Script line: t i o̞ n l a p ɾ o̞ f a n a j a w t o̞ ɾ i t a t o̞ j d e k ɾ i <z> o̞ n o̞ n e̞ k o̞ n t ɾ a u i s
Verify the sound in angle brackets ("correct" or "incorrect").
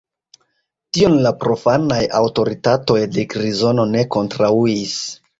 correct